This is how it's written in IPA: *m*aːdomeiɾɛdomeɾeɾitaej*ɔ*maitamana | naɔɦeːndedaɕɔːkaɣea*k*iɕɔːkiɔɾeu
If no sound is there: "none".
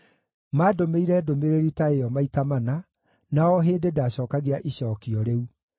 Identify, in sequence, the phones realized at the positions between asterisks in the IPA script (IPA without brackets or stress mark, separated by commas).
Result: m, ɔ, ʔ